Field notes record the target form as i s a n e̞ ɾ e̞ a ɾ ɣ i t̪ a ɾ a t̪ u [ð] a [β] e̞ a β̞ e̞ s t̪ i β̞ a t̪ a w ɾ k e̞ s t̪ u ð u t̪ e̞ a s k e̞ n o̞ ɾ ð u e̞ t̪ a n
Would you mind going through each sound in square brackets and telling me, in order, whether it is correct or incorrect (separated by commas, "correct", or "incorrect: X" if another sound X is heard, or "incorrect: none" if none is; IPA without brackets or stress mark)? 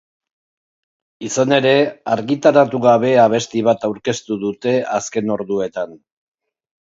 incorrect: ɣ, correct